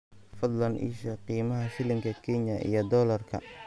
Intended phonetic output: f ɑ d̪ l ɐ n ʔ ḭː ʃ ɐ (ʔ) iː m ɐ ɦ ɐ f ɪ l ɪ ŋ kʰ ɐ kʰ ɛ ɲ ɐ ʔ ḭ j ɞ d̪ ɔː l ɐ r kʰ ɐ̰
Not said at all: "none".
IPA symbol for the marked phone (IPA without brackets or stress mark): q